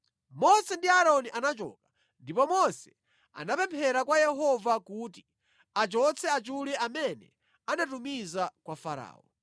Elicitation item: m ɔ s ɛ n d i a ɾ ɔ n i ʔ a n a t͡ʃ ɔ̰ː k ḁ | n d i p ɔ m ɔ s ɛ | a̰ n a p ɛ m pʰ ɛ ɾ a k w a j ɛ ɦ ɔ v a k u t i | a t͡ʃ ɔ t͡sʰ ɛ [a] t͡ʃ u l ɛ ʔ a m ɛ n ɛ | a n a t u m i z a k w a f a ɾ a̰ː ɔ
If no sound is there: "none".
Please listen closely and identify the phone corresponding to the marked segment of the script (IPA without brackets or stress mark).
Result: a